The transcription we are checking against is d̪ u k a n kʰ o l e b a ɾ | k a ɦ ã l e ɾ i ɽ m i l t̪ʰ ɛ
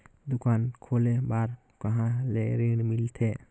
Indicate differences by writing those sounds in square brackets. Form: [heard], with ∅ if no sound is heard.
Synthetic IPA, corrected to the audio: d̪ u k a n kʰ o l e b a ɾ | k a ɦ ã l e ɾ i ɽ m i l t̪ʰ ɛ